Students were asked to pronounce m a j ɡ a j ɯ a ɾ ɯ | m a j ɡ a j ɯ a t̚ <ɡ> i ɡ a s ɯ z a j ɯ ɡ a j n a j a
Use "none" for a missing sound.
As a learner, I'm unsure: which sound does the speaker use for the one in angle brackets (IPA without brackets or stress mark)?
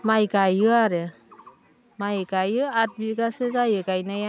b